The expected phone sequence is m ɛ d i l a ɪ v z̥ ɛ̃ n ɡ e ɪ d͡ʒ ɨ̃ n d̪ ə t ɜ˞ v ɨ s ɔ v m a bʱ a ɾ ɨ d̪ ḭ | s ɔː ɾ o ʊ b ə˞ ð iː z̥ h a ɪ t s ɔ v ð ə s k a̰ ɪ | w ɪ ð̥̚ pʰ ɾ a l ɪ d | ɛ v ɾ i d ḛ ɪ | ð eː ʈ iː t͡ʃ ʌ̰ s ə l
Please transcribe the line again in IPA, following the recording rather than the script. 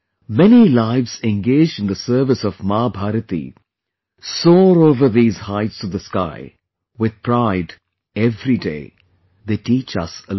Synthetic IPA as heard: m ɛ n i l a ɪ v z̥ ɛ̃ n ɡ e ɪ d͡ʒ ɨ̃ n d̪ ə s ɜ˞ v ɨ s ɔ v m a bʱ a ɾ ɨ t̪ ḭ | s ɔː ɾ o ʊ v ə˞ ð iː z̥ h a ɪ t s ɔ v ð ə s k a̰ ɪ | w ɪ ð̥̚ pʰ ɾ a ɪ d | ɛ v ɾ i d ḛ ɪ | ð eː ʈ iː t͡ʃ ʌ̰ s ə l